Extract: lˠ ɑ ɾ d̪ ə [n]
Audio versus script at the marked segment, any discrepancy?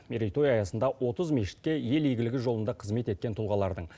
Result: yes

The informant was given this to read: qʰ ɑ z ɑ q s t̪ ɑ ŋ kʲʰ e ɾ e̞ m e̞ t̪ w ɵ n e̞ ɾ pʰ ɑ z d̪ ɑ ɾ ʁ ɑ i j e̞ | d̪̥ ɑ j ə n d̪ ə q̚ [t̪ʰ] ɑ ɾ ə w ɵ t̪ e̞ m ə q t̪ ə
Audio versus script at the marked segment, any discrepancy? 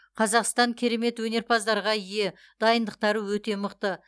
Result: yes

